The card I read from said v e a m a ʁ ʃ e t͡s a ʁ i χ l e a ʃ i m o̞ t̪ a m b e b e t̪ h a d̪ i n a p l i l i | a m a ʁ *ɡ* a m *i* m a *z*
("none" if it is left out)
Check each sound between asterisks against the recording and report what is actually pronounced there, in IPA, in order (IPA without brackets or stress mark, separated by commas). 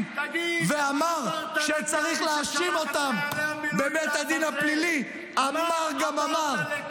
ɡ, a, ʁ